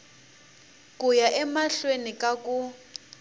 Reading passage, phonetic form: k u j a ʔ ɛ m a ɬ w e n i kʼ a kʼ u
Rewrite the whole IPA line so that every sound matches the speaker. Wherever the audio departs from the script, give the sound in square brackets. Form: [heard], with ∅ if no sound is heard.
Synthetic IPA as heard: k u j a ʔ ɛ m a ɬ w e n i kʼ a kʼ u